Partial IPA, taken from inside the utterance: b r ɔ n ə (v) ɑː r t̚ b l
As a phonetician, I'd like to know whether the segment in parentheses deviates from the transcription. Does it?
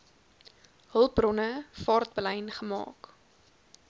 yes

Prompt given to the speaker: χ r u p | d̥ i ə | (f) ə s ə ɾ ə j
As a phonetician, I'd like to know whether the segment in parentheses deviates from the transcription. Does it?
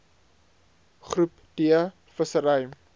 no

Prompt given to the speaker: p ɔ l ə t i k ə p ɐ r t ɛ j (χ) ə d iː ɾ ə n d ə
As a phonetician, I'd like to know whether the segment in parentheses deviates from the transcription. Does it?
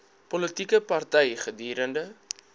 no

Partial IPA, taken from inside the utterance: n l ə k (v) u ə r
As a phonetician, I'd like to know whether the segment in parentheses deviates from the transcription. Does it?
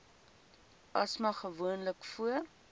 yes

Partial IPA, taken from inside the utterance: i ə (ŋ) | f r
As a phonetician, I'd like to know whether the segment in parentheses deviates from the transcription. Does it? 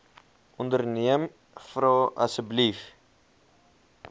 yes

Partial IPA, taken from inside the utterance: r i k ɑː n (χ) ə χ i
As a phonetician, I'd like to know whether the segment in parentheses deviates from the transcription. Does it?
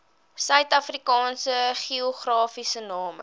yes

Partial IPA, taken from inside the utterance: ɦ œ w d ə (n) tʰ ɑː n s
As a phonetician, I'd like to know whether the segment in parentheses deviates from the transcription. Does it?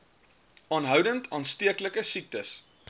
no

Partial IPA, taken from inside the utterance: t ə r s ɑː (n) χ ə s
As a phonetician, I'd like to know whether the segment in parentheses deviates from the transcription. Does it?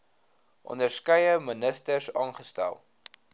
no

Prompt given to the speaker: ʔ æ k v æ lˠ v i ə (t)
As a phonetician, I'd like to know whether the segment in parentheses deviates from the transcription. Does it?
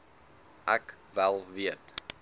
no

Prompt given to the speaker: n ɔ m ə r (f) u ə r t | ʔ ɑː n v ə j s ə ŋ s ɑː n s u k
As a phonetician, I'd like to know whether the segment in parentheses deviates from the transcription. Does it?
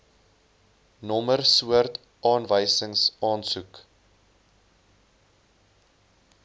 yes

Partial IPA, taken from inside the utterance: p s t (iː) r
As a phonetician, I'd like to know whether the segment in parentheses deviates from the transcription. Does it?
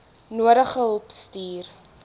no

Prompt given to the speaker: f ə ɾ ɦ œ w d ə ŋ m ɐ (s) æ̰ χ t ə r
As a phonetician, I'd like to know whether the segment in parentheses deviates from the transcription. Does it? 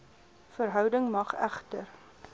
yes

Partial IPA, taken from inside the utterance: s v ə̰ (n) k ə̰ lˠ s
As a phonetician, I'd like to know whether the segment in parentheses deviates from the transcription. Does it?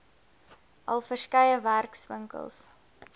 yes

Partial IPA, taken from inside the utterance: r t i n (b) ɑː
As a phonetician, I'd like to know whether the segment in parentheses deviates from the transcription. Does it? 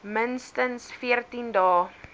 yes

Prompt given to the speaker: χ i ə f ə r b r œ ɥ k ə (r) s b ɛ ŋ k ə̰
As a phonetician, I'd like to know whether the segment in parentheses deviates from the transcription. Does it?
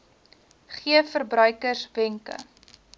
no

